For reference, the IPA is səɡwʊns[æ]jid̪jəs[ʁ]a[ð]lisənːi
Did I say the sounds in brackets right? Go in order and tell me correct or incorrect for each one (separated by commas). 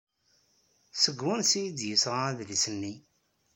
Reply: incorrect, correct, correct